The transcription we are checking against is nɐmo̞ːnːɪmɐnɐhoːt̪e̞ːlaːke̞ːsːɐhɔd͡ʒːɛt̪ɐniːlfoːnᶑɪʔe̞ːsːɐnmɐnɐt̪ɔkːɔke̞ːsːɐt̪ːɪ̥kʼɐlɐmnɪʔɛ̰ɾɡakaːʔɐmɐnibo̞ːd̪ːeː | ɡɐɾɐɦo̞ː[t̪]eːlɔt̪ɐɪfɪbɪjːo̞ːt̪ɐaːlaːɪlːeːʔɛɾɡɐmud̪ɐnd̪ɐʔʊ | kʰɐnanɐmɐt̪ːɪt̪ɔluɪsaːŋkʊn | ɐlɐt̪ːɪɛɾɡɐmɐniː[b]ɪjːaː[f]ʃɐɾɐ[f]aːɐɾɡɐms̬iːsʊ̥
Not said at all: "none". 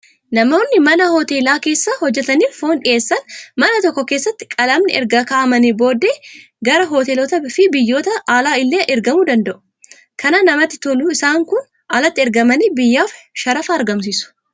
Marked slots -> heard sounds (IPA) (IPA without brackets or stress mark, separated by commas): t̪, b, f, f